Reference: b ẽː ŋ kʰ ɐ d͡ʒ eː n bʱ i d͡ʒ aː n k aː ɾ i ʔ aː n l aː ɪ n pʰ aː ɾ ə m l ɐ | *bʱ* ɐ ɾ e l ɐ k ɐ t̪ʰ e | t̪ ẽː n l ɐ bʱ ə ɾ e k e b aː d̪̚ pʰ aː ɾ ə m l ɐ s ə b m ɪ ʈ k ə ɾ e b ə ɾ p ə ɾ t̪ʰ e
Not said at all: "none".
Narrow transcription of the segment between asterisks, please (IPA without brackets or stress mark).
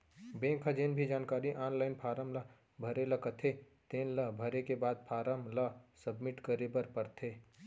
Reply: bʱ